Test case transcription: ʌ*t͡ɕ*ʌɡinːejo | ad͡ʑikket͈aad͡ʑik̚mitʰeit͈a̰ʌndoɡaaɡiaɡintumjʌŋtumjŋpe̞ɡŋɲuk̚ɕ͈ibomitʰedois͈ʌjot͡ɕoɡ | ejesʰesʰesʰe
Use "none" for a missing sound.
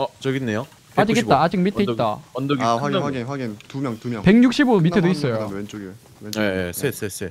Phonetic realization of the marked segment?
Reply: t͡ɕ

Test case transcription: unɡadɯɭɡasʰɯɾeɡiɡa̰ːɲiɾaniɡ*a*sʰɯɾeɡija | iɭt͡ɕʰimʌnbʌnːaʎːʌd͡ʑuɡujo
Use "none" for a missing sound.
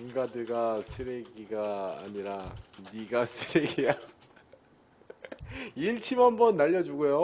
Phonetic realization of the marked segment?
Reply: a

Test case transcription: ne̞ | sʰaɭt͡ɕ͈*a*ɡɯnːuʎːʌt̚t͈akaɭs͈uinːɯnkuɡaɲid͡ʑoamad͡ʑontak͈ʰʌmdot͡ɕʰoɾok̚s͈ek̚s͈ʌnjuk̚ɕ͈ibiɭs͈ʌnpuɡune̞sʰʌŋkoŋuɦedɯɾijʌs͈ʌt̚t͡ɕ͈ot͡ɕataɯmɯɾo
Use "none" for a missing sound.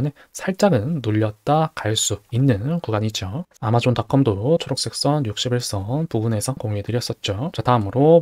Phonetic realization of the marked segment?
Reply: a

